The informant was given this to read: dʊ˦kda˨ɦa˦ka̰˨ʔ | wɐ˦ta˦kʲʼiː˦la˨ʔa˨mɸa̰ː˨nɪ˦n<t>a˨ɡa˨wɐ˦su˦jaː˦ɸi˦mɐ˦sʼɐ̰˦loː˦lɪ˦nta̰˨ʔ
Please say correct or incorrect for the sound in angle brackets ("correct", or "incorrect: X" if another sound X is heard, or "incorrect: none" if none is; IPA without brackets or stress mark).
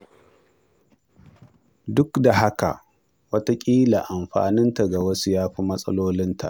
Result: correct